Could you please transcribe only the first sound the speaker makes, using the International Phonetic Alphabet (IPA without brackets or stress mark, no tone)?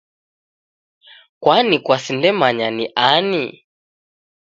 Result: k